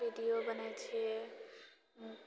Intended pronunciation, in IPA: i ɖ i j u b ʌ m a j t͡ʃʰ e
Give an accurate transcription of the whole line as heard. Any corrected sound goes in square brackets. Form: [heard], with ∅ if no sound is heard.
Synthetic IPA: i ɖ i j [o] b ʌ [n] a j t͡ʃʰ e